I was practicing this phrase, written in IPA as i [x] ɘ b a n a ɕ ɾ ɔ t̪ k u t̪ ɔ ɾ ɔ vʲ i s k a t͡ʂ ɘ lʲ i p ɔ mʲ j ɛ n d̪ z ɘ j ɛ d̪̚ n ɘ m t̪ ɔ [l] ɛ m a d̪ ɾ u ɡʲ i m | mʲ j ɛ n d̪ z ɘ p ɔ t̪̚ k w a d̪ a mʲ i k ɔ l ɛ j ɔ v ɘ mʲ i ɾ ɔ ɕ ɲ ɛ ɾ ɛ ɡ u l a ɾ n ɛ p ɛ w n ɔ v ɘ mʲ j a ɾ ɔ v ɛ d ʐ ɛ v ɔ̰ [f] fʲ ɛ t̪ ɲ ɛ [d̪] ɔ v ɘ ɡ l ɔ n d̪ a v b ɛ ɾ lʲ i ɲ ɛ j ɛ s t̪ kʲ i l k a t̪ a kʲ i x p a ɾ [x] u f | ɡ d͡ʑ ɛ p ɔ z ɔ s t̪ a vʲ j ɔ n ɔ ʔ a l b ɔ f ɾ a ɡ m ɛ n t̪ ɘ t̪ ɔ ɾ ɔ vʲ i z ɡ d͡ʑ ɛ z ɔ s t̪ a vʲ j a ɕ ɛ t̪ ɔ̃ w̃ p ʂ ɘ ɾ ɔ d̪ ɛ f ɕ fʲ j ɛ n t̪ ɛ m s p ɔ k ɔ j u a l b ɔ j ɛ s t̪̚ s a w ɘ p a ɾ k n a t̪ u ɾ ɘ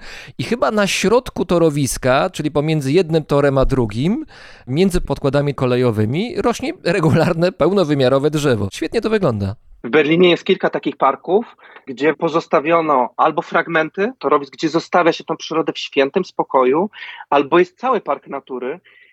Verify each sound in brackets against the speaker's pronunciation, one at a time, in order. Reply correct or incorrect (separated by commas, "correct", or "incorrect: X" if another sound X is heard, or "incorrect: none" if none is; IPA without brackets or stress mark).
correct, incorrect: ɾ, incorrect: ɕ, incorrect: t̪, incorrect: k